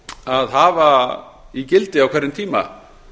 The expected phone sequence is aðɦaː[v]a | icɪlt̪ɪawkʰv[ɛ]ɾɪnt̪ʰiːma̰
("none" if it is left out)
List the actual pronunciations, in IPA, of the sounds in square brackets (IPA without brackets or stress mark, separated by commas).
v, ɛ